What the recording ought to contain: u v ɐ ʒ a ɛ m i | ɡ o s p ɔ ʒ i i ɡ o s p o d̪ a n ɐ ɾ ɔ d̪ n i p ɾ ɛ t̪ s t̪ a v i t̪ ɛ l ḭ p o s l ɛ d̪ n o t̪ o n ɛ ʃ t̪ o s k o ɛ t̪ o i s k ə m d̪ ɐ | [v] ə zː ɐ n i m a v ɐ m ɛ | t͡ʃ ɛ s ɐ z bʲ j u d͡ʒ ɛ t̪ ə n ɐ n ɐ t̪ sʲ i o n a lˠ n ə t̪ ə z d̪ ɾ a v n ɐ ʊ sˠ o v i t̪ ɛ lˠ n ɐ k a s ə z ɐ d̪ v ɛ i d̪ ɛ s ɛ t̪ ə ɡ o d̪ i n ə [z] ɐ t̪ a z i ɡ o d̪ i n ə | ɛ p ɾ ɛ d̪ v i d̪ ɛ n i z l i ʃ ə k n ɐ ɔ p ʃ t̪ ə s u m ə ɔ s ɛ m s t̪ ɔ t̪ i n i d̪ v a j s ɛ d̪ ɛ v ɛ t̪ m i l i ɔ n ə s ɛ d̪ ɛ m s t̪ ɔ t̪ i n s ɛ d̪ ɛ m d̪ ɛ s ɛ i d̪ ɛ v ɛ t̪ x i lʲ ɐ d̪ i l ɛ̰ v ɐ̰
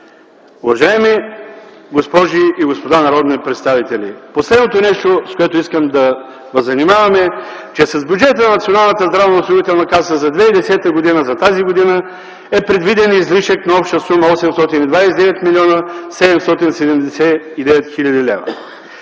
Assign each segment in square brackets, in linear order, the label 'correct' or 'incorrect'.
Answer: correct, correct

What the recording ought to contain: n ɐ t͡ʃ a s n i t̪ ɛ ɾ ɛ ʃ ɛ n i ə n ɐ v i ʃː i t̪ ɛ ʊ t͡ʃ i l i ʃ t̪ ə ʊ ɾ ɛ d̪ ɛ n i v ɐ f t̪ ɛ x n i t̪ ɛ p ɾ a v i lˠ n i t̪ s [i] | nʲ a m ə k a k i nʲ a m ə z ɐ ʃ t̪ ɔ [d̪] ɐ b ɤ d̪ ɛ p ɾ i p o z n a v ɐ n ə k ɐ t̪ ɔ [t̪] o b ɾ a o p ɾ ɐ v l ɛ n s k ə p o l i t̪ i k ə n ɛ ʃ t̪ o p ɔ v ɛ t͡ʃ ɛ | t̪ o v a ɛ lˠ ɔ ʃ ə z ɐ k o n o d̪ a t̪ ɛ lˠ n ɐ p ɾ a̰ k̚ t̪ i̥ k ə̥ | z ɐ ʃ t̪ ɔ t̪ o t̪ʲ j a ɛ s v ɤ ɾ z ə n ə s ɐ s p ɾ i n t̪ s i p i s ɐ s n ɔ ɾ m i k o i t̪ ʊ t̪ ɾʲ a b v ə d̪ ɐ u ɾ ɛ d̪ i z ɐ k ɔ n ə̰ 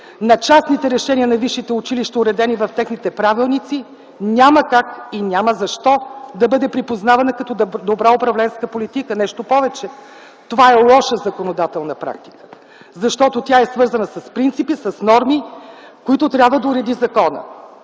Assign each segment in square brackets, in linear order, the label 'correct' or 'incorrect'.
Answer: correct, correct, incorrect

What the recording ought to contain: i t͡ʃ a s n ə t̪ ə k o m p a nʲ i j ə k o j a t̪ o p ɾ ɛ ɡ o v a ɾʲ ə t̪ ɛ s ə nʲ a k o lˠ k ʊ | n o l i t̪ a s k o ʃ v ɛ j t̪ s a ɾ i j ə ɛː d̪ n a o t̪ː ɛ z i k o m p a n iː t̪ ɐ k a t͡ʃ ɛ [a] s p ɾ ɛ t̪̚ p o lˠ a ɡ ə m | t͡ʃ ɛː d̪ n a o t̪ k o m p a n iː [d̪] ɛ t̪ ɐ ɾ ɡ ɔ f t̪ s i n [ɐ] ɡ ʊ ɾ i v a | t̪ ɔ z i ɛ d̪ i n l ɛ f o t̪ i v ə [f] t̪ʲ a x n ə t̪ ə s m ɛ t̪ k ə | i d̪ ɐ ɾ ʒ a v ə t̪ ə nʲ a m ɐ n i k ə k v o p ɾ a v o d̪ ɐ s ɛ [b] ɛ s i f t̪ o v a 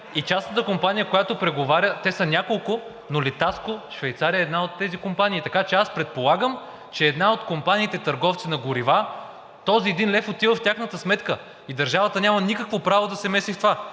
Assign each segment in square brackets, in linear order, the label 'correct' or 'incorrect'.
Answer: correct, incorrect, correct, correct, incorrect

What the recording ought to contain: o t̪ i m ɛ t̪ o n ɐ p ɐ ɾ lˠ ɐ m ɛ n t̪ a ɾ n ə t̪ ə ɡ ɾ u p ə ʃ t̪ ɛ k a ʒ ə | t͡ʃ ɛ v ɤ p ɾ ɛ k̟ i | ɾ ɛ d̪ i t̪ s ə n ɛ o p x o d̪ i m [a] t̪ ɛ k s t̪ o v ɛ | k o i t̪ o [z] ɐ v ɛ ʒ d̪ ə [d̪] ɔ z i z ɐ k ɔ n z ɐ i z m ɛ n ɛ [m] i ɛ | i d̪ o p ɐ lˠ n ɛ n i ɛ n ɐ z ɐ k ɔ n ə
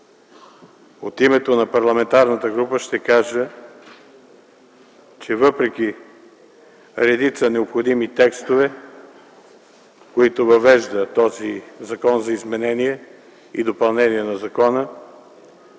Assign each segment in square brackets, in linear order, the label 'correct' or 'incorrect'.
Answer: incorrect, incorrect, incorrect, incorrect

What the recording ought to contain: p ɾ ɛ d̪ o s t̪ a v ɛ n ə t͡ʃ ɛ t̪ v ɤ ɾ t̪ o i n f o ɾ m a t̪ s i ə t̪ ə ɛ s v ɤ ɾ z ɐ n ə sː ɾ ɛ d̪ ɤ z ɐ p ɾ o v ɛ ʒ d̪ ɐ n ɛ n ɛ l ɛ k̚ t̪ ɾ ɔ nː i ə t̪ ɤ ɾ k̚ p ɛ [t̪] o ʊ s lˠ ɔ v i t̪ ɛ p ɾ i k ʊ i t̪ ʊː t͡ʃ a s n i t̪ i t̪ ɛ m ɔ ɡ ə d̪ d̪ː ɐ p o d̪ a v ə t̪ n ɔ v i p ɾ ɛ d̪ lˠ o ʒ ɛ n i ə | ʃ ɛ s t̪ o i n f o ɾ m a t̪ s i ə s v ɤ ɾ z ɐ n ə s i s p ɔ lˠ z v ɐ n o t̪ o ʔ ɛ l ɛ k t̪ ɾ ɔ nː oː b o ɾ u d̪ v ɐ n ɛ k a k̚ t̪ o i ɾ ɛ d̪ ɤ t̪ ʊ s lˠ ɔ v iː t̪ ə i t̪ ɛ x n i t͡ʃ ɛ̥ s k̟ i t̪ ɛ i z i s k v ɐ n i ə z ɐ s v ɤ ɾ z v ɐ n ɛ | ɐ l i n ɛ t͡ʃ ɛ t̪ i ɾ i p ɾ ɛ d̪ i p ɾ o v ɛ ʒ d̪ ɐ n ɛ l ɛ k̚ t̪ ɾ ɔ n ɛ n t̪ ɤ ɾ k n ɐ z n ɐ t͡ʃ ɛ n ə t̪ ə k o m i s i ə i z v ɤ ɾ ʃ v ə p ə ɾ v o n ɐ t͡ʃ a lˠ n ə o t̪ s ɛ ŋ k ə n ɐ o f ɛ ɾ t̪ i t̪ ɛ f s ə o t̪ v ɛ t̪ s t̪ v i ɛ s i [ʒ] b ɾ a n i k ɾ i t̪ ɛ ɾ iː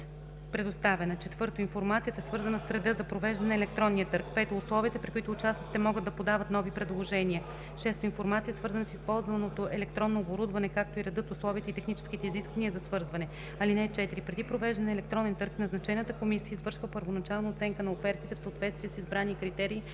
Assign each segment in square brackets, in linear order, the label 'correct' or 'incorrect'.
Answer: correct, incorrect

